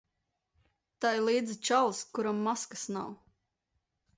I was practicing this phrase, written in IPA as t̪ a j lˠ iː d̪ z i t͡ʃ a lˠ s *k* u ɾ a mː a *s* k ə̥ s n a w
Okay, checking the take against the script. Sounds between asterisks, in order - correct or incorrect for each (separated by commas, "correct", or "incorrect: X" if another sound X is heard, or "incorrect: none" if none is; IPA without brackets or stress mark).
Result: correct, correct